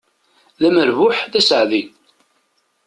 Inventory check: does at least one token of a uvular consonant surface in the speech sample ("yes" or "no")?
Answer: no